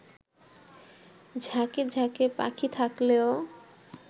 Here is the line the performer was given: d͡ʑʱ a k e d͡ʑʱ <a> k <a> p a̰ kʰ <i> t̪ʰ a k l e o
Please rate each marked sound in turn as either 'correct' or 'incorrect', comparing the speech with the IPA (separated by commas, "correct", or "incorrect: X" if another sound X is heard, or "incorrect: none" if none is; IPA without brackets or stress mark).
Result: correct, incorrect: e, correct